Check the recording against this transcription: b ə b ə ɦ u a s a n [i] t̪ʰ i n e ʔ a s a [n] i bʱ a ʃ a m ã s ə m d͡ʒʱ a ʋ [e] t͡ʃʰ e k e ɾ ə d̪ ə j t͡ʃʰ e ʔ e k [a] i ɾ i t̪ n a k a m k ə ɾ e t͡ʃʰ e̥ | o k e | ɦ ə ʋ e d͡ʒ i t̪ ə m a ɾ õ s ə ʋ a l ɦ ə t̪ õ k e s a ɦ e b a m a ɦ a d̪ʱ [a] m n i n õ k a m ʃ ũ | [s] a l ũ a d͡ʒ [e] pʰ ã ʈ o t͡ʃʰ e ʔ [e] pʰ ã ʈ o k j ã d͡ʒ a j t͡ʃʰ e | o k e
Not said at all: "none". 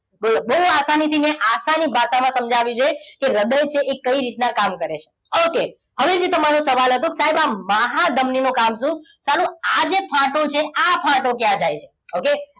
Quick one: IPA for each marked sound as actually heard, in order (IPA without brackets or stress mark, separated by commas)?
i, n, i, ə, ə, s, e, a